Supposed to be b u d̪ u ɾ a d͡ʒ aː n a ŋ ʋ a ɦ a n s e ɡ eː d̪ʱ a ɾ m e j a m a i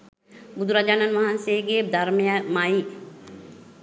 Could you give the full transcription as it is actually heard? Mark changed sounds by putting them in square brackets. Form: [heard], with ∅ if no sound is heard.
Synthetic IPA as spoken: b u d̪ u ɾ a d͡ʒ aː n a [n] ʋ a ɦ a n s e ɡ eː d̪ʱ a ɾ m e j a m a i